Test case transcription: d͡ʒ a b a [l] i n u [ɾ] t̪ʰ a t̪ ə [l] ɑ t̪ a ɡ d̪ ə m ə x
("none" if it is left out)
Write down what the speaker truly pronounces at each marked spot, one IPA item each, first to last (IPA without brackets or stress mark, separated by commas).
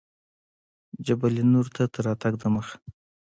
l, ɾ, ɾ